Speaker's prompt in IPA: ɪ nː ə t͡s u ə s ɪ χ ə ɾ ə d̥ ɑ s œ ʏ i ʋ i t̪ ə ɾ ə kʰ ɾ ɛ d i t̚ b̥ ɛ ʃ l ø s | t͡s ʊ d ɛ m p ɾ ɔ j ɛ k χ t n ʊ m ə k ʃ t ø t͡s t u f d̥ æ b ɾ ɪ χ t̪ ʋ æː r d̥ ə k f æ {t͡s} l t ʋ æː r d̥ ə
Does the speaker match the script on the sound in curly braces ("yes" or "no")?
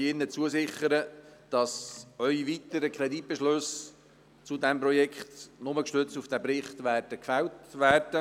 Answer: no